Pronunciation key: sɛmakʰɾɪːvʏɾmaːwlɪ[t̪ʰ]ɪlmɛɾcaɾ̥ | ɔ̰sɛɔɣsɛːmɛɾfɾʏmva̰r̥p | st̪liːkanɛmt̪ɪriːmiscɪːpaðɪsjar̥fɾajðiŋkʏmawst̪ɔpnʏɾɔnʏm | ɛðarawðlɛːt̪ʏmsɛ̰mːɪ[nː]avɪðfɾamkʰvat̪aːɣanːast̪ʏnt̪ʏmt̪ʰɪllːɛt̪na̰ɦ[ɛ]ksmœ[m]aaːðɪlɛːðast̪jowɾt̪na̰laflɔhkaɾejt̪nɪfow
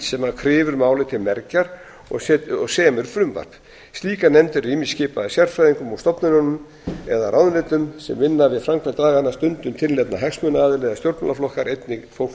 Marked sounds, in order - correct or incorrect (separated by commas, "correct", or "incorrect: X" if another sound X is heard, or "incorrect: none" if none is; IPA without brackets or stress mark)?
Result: correct, correct, correct, incorrect: n